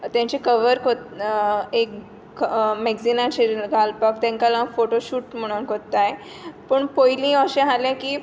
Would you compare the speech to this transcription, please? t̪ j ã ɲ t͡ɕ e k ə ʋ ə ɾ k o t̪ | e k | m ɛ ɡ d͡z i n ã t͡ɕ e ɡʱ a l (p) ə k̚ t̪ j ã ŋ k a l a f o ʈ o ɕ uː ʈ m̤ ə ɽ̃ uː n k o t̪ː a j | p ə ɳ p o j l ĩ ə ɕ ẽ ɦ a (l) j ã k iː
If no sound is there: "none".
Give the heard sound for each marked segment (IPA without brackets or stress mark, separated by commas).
p, l